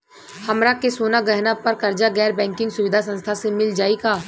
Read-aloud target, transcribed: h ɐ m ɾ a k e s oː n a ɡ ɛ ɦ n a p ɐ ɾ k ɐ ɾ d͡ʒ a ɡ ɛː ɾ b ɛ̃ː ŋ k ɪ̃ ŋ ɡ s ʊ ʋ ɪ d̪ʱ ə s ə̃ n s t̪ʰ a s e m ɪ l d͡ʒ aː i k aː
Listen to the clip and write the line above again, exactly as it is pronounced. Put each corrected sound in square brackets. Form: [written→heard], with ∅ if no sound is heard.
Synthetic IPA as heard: h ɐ m ɾ a k e s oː n a ɡ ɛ ɦ n a p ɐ ɾ k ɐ ɾ d͡ʒ a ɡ ɛː ɾ b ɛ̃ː ŋ k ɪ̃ ŋ ɡ s ʊ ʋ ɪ d̪ʱ [ə→a] s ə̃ n s t̪ʰ a s e m ɪ l d͡ʒ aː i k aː

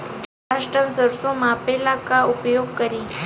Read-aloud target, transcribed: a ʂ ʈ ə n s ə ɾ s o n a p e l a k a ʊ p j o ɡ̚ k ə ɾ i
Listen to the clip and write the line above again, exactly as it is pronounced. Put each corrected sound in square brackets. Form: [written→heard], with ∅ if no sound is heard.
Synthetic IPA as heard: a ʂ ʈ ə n s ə ɾ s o [n→m] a p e l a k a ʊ p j o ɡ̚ k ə ɾ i

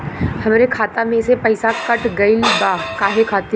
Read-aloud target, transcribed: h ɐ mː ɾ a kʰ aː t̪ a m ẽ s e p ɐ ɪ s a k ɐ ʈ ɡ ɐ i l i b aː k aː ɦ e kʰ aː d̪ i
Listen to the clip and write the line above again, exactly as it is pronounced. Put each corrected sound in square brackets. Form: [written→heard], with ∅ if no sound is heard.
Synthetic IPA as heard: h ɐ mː ɾ [a→e] kʰ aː t̪ a m ẽ s e p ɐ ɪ s a k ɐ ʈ ɡ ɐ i l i b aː k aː ɦ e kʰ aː [d̪→t̪] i

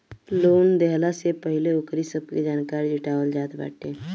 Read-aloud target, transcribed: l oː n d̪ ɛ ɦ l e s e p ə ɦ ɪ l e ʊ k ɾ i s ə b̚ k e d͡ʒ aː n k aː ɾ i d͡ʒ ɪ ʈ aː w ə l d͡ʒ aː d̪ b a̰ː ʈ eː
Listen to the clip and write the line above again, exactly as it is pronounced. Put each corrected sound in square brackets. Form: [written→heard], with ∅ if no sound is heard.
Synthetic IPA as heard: l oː n d̪ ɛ ɦ l [e→a] s e p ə ɦ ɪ l e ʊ k ɾ i s ə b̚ k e d͡ʒ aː n k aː ɾ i d͡ʒ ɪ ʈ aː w ə l d͡ʒ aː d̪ b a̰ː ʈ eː

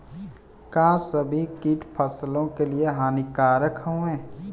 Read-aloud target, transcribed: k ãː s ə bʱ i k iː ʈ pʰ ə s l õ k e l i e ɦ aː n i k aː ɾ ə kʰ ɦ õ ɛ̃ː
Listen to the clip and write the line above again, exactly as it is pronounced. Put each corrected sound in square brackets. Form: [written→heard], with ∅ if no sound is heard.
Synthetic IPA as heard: k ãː s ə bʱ i k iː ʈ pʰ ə s l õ k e l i e ɦ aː n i k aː ɾ ə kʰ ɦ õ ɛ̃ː

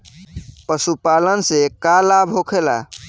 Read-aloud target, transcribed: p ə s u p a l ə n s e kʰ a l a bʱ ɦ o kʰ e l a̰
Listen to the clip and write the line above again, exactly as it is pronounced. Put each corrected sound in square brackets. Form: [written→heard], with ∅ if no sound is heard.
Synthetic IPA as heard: p ə s u p a l ə n s e [kʰ→k] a l a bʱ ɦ o kʰ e l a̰

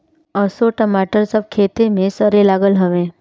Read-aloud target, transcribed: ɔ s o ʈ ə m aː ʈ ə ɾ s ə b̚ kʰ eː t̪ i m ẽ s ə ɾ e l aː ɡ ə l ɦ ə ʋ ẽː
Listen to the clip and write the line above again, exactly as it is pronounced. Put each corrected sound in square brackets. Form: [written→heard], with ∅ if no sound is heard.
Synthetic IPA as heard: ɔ s o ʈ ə m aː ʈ ə ɾ s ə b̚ kʰ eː t̪ [i→e] m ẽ s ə ɾ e l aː ɡ ə l ɦ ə ʋ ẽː

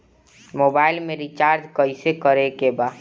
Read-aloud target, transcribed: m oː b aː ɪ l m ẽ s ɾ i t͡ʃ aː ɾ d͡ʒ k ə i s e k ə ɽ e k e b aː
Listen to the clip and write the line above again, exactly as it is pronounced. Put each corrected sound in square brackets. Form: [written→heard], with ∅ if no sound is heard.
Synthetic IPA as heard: m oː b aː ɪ l m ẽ [s→∅] ɾ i t͡ʃ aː ɾ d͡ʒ k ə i s e k ə [ɽ→ɾ] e k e b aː

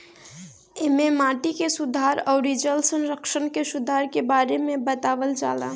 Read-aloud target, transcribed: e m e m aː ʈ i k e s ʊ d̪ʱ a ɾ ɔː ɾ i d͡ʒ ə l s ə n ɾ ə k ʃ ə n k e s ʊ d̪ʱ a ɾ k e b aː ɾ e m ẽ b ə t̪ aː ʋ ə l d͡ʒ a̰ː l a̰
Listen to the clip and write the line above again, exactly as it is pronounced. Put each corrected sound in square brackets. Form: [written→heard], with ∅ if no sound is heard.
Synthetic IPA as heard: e m e m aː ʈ i k e s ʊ d̪ʱ a ɾ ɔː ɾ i d͡ʒ ə l s ə n ɾ ə k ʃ ə n k e s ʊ d̪ʱ a ɾ k e b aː ɾ e m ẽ b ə t̪ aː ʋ ə l d͡ʒ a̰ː l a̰

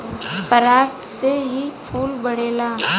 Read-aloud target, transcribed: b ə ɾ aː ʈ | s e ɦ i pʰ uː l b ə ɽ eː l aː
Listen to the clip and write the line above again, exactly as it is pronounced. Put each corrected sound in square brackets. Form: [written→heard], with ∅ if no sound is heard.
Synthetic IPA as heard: [b→p] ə ɾ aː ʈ | s e ɦ i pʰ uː l b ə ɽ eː l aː

